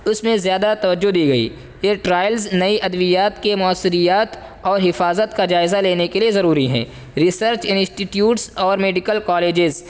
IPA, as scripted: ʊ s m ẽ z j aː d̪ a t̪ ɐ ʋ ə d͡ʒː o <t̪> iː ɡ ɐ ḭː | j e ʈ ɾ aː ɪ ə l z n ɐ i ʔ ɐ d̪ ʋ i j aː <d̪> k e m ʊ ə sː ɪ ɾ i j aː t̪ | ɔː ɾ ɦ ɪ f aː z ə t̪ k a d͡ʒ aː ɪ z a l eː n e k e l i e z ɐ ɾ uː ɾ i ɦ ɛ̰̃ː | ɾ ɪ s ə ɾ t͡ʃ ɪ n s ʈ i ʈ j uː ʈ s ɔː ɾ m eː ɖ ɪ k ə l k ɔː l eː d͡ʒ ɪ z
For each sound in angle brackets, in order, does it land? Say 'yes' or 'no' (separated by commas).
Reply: no, no